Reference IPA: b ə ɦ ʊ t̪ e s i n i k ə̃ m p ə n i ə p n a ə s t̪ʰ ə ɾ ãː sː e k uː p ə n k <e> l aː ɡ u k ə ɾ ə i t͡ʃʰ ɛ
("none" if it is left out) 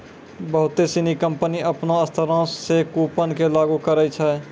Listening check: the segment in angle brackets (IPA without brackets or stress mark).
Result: e